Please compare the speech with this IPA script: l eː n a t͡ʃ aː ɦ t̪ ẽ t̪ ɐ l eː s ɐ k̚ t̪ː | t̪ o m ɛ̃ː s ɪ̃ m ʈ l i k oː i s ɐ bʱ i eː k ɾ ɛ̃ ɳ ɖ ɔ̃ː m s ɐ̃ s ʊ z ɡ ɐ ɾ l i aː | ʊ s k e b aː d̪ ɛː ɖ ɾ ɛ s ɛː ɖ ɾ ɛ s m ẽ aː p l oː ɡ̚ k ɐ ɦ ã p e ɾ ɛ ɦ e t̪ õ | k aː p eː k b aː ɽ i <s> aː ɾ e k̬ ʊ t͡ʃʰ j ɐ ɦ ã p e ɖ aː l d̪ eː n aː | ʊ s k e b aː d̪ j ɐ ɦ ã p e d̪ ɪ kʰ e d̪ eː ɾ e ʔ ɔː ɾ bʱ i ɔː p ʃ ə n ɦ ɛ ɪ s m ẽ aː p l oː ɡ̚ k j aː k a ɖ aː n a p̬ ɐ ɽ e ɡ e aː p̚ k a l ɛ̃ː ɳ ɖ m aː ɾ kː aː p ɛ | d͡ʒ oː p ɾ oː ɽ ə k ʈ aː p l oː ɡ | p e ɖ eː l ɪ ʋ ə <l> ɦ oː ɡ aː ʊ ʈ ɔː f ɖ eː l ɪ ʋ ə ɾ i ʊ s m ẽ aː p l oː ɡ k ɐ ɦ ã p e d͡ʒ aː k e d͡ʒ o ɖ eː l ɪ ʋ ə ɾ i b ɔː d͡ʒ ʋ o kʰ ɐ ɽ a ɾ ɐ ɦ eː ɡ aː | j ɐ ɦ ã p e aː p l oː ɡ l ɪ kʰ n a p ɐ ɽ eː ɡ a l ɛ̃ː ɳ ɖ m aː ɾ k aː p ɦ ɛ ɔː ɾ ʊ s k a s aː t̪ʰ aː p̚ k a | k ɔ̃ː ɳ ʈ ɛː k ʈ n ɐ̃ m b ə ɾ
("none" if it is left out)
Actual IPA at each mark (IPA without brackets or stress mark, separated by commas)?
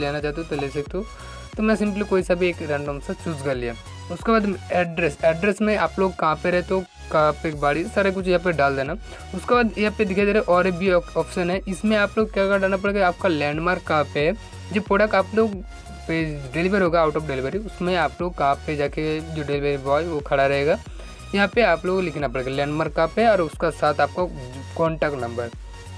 s, ɾ